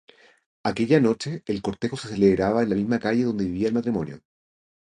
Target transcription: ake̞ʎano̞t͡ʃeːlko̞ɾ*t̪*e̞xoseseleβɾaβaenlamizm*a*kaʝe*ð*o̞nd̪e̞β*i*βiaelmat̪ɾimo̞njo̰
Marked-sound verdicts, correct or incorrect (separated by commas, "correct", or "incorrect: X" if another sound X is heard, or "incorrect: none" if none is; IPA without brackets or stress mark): correct, correct, correct, correct